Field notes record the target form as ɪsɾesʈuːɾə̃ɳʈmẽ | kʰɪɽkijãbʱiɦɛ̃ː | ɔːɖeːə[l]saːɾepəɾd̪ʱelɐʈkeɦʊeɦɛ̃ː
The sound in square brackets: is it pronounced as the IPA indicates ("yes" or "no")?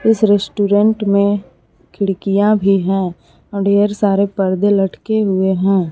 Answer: no